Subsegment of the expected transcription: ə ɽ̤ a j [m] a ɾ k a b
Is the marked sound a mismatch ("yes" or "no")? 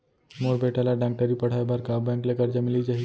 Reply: yes